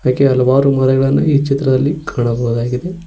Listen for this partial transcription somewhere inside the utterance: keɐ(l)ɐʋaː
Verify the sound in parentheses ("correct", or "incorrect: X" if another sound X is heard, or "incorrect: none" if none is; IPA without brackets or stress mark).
correct